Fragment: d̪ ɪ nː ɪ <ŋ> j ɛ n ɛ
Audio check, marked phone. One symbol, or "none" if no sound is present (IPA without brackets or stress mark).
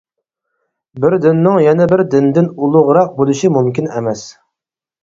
ŋ